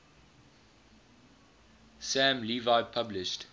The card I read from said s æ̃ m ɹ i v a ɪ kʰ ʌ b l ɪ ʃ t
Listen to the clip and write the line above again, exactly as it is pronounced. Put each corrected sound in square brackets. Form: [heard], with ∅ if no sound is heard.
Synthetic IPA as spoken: s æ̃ m [l] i v a ɪ [pʰ] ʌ b l ɪ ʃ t